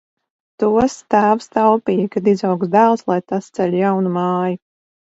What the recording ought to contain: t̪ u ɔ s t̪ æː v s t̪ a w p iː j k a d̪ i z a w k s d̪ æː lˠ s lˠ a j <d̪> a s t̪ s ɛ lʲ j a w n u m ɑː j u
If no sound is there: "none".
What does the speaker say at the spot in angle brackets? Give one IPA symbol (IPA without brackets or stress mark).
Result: t̪